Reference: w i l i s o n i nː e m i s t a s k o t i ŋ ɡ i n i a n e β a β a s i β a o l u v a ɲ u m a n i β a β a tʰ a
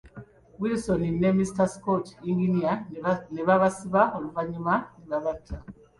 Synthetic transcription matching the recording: w i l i s o n i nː e m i s t a s k o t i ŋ ɡ i n i a n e β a β a s i β a o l u v a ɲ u m a n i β a β a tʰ a

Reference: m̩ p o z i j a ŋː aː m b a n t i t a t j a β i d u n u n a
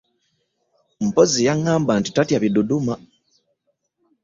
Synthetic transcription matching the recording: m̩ p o z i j a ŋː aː m b a n t i t a t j a β i d u d u m a

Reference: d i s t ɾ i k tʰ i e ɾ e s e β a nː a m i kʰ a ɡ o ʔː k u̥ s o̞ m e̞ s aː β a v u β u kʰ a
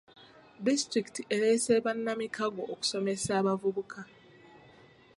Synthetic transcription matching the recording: d i s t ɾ i k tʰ i e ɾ e s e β a nː a m i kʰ a ɡ o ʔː k u̥ s o̞ m e̞ s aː β a v u β u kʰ a

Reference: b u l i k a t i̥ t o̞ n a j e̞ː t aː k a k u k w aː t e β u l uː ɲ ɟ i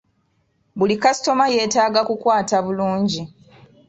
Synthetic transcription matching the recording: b u l i k a s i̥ t o̞ m a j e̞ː t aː ɡ a k u k w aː t a β u l uː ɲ ɟ i

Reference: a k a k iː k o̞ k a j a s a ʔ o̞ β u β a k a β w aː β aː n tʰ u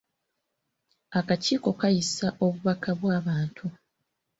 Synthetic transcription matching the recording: a k a c iː k o̞ k a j i s a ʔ o̞ β u β a k a β w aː β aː n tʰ u

